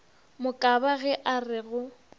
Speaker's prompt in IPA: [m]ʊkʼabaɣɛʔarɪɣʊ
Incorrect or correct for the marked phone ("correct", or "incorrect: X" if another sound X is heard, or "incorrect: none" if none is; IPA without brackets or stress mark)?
correct